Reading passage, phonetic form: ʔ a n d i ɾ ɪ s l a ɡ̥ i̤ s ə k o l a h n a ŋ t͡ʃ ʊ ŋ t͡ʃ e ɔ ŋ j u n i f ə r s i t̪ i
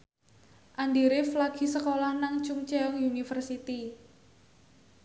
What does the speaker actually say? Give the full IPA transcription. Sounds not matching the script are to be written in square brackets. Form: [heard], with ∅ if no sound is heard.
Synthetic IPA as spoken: ʔ a n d i ɾ ɪ [f] l a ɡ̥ i̤ s ə k o l a h n a ŋ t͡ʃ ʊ ŋ t͡ʃ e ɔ ŋ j u n i f ə r s i t̪ i

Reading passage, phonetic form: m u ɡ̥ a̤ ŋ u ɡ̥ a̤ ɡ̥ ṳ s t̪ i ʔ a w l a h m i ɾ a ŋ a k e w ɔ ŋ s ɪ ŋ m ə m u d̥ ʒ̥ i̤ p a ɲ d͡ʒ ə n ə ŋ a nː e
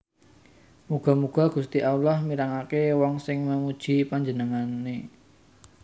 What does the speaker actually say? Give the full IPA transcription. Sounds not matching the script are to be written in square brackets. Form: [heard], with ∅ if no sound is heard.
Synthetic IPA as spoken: m u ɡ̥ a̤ [m] u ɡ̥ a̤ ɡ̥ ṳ s t̪ i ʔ a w l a h m i ɾ a ŋ a k e w ɔ ŋ s ɪ ŋ m ə m u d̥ ʒ̥ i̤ p a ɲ d͡ʒ ə n ə ŋ a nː e

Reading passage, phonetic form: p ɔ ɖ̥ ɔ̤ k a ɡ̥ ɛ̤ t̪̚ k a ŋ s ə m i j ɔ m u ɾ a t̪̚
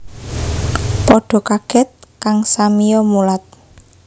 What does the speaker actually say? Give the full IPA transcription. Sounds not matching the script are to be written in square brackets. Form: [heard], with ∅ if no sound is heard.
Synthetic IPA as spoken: p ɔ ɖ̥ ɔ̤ k a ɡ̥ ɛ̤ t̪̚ k a ŋ s [a] m i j ɔ m u [l] a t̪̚

